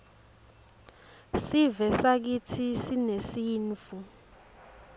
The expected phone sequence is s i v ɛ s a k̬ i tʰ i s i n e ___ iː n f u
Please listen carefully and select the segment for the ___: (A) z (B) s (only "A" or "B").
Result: B